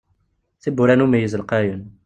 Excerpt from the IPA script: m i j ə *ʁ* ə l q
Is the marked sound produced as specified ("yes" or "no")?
no